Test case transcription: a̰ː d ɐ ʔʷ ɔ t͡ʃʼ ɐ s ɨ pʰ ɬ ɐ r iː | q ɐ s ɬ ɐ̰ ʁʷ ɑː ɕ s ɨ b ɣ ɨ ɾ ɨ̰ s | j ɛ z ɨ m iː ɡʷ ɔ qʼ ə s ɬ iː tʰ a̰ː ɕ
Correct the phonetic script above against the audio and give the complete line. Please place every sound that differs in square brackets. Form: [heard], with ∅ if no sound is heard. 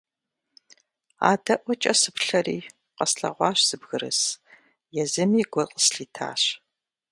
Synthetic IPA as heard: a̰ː d ɐ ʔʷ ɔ t͡ʃʼ ɐ s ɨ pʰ ɬ ɐ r iː | q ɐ s ɬ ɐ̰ ʁʷ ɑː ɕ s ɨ b ɣ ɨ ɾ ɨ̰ s | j ɛ z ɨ m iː ɡʷ ɔ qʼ ə s ɬ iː tʰ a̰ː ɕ